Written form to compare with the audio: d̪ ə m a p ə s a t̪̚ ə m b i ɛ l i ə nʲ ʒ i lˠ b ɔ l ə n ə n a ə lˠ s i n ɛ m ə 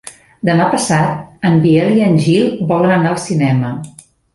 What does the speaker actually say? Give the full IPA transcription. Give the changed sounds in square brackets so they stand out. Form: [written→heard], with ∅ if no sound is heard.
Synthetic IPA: d̪ ə m a p ə s a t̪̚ ə m b i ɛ l i ə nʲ ʒ i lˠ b ɔ l ə n ə n a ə lˠ s i n ɛ m ə